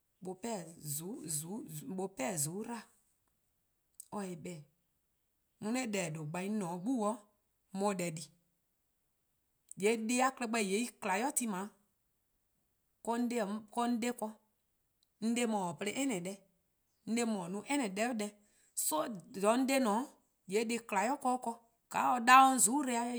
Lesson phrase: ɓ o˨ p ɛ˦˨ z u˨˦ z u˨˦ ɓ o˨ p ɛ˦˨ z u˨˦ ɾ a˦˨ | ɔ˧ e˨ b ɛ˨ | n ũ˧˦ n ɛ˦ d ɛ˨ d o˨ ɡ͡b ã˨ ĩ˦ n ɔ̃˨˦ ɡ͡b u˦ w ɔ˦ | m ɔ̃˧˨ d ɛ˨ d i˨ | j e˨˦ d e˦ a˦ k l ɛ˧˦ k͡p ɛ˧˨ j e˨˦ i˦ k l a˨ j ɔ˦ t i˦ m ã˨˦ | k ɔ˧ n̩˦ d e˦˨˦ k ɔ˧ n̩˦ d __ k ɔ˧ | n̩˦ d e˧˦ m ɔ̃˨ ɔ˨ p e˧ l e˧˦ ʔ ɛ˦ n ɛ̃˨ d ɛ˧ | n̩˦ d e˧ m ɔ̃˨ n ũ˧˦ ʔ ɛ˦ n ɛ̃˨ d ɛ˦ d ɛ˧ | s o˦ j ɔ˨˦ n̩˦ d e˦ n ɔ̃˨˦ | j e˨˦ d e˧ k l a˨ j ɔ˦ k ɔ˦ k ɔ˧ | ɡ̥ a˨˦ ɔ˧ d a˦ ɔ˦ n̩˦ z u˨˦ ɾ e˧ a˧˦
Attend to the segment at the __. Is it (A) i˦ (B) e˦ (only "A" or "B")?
B